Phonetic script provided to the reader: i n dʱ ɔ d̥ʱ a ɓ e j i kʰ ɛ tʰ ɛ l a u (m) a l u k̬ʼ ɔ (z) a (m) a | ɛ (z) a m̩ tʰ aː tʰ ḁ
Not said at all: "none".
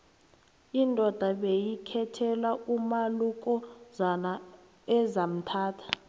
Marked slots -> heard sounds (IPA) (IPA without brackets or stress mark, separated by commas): m, z, n, z